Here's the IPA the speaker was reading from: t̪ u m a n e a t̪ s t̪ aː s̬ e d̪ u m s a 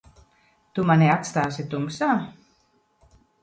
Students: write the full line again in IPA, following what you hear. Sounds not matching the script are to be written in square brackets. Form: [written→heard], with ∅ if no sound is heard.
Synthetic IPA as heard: t̪ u m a n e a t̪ s t̪ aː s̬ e [d̪→t̪] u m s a